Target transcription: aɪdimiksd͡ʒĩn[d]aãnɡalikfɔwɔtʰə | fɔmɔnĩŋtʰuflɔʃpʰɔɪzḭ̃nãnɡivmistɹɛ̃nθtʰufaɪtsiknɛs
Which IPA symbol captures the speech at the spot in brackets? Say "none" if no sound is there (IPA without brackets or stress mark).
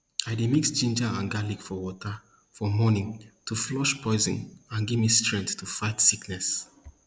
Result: d͡ʒ